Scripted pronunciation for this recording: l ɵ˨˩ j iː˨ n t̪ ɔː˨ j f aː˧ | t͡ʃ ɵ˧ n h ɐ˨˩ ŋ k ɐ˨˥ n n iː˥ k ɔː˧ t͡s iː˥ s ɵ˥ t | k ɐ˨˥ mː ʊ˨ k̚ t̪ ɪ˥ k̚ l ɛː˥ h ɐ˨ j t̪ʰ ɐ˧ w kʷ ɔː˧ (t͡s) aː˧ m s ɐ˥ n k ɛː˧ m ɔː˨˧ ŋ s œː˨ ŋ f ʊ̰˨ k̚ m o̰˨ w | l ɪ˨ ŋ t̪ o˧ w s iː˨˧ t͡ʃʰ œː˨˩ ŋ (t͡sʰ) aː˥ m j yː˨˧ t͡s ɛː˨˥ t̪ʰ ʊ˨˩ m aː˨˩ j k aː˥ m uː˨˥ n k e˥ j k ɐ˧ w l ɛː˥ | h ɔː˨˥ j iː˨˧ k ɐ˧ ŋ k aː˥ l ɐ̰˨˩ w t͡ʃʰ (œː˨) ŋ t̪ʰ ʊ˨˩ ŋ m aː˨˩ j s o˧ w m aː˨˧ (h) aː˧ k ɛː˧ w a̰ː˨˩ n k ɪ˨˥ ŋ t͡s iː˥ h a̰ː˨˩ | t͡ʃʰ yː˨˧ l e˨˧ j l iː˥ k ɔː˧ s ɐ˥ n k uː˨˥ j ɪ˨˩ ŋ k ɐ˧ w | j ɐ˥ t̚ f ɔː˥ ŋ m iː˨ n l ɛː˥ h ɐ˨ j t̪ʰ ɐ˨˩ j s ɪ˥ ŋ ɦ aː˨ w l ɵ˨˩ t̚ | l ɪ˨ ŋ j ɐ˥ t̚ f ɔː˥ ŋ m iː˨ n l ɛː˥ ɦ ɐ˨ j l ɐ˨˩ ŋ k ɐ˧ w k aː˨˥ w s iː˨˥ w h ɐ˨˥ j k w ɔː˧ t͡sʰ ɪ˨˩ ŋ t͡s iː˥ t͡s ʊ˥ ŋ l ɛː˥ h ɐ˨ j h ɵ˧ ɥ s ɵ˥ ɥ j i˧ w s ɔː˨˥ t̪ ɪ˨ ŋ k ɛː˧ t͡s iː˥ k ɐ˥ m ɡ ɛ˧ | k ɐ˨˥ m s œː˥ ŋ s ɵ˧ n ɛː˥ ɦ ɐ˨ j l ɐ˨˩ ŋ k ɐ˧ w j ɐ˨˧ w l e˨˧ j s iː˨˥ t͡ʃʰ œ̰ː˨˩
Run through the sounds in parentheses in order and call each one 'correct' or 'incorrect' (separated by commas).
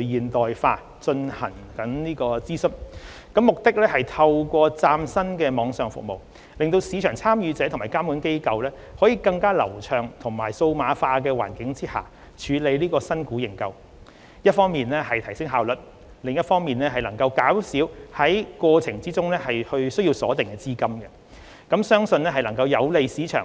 correct, correct, correct, incorrect